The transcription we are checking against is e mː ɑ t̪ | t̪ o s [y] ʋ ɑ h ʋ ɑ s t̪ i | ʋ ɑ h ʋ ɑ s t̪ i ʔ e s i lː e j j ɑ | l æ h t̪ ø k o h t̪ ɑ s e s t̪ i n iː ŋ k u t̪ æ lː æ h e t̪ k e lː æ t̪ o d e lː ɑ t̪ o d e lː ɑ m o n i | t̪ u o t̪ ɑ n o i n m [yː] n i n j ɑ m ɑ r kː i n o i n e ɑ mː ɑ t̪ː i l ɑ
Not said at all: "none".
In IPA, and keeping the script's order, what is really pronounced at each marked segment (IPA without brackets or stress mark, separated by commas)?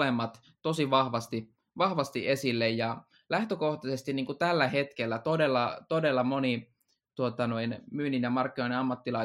i, yː